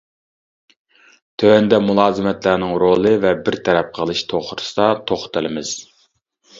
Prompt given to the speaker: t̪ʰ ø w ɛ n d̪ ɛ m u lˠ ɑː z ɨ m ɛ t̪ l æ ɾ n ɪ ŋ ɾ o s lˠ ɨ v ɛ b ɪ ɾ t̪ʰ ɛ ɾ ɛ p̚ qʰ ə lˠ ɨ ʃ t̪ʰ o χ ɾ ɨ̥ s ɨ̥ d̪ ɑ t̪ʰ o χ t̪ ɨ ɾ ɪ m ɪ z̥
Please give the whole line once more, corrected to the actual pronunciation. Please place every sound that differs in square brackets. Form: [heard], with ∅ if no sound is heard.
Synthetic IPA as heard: t̪ʰ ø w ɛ n d̪ ɛ m u lˠ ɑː z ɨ m ɛ t̪ l æ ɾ n ɪ ŋ ɾ o [∅] lˠ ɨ v ɛ b ɪ ɾ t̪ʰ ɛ ɾ ɛ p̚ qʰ ə lˠ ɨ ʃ t̪ʰ o χ ɾ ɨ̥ s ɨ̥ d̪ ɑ t̪ʰ o χ t̪ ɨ [l] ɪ m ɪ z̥